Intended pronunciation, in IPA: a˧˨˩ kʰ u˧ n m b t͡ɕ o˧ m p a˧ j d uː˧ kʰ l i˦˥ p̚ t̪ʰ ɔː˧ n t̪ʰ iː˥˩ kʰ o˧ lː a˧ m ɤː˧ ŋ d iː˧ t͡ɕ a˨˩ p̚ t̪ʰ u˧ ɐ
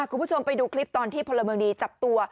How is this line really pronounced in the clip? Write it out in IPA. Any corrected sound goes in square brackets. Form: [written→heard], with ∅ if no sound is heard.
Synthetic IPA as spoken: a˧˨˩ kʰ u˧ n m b [t͡ɕ→t͡ɕʰ] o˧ m p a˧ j d uː˧ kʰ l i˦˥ p̚ [t̪ʰ→t̪] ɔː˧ n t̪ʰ iː˥˩ [kʰ→pʰ] o˧ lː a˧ m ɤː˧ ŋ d iː˧ t͡ɕ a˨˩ p̚ [t̪ʰ→t̪] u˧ ɐ